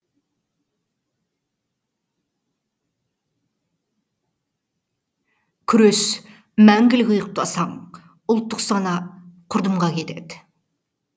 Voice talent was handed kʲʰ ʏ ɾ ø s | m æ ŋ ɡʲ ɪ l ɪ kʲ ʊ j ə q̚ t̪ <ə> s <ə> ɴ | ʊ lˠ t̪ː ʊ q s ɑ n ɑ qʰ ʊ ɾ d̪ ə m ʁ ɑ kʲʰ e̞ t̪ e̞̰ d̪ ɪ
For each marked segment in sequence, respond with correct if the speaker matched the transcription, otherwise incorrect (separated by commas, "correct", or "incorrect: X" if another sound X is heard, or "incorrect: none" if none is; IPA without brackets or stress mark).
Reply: incorrect: ɑ, incorrect: ɑ